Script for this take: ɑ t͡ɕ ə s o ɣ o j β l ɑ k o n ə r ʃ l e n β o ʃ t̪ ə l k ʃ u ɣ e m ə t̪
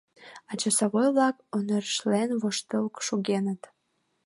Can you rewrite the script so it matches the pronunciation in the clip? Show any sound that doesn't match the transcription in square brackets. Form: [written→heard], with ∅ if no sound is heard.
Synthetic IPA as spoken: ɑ t͡ɕ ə s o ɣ o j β l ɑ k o n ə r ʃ l e n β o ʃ t̪ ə l k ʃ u ɣ e [m→n] ə t̪